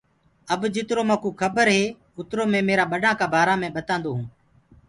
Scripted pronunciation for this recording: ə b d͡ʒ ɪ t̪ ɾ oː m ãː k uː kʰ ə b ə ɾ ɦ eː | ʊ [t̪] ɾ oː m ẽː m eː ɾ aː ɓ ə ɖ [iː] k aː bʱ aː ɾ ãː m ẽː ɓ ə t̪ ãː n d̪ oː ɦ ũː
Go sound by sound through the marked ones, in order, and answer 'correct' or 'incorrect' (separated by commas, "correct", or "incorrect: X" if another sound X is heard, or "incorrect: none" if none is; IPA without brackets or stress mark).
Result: correct, incorrect: aː